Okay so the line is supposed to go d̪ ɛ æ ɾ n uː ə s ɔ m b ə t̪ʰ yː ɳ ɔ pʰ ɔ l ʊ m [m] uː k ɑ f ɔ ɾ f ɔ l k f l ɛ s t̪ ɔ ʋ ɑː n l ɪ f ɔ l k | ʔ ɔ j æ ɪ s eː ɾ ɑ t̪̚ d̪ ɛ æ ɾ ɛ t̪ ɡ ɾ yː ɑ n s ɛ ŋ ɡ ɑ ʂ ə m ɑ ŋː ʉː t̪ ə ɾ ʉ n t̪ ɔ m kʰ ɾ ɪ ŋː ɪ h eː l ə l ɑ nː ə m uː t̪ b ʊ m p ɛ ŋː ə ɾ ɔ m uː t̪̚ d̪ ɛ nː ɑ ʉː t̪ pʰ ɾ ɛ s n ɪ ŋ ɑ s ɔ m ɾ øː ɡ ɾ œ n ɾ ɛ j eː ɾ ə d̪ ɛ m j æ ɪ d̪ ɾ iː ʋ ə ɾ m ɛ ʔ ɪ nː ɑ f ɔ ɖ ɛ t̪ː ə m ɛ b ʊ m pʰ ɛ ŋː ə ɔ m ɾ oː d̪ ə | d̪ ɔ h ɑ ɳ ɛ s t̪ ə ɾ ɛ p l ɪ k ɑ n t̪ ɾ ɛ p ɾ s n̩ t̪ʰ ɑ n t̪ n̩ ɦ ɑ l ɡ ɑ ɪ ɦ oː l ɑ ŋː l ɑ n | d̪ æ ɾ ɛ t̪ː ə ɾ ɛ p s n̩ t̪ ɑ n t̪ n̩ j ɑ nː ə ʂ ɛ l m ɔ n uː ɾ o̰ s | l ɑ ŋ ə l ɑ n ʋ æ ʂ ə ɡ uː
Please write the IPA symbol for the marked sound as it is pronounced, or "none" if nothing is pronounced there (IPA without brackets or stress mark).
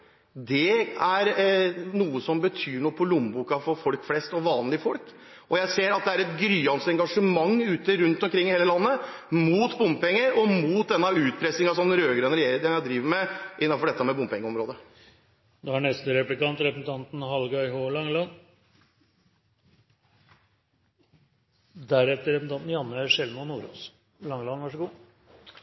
b